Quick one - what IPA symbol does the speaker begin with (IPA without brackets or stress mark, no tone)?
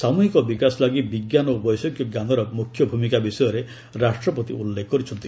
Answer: s